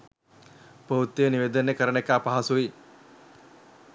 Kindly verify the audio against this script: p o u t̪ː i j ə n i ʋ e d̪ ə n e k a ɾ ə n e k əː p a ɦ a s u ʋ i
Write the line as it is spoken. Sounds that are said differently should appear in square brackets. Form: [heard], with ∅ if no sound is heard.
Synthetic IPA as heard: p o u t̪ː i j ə n i ʋ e d̪ ə n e k [ə] ɾ ə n e k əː p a ɦ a s u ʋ i